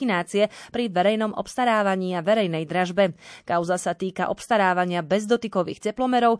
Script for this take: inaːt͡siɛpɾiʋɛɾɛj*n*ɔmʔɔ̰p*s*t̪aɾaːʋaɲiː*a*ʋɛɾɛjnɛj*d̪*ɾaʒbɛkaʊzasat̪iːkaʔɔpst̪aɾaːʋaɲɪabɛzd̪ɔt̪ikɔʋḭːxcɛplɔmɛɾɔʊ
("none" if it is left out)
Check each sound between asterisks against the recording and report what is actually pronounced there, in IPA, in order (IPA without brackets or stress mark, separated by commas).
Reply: n, s, a, d̪